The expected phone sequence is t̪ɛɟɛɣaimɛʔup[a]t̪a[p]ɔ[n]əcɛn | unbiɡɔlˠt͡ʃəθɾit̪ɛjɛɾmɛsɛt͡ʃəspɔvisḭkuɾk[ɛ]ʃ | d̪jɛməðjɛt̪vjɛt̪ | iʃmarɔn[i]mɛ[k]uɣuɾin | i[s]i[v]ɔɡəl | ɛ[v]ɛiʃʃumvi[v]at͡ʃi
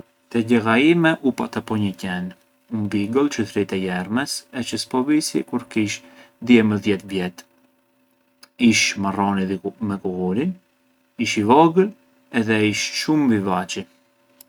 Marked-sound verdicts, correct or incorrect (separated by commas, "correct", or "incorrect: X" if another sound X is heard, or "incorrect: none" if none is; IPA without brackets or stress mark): correct, correct, incorrect: ɲ, incorrect: i, correct, correct, incorrect: ʃ, correct, incorrect: ð, correct